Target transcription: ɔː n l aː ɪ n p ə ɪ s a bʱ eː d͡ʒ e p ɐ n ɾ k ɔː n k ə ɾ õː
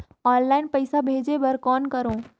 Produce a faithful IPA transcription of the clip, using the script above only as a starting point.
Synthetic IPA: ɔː n l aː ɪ n p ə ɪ s a bʱ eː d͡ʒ e b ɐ ɾ k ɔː n k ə ɾ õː